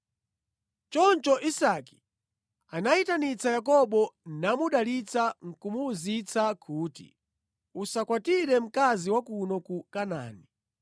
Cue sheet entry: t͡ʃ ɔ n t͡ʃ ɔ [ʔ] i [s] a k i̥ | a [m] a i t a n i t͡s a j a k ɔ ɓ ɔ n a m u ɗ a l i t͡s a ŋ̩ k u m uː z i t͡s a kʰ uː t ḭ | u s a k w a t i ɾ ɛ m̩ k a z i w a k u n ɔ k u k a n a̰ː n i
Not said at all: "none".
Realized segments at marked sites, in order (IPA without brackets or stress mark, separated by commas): ʔ, s, n